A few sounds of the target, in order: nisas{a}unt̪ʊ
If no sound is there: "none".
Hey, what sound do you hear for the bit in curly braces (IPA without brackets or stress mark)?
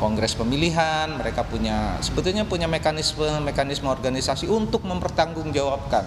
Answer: i